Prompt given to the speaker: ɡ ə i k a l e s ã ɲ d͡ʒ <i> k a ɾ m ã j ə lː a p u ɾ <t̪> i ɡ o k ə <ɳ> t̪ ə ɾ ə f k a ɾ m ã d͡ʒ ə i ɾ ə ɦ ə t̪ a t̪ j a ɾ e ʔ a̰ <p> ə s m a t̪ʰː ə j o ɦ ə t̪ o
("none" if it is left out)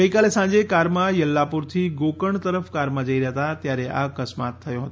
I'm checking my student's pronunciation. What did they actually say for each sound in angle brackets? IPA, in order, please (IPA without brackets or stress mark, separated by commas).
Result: e, t̪ʰ, ɳ, k